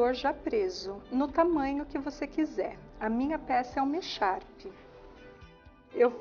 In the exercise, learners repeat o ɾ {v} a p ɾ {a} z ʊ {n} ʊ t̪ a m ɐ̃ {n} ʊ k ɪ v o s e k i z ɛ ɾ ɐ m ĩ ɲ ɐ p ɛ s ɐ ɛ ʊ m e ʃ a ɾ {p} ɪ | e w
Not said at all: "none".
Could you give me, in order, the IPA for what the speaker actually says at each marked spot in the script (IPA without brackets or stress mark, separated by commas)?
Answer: ʒ, e, n, ɲ, p